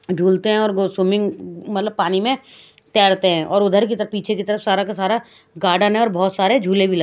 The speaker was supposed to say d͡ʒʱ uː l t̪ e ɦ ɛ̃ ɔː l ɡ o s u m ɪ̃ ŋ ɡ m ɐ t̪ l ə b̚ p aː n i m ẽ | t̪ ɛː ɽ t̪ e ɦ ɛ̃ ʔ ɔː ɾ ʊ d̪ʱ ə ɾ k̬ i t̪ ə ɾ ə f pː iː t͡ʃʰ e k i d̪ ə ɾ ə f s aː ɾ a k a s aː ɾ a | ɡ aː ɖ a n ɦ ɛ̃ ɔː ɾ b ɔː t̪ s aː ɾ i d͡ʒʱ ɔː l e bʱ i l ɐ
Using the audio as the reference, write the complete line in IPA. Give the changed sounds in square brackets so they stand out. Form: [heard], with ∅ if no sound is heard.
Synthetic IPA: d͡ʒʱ uː l t̪ e ɦ ɛ̃ ɔː [ɾ] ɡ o s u m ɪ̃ ŋ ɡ m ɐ t̪ l ə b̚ p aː n i m ẽ | t̪ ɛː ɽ t̪ e ɦ ɛ̃ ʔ ɔː ɾ ʊ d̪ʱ ə ɾ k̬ i t̪ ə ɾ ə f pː iː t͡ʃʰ e k i [t̪] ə ɾ ə f s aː ɾ a k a s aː ɾ a | ɡ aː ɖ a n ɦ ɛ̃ ɔː ɾ b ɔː t̪ s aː ɾ [e] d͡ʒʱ [uː] l e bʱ i l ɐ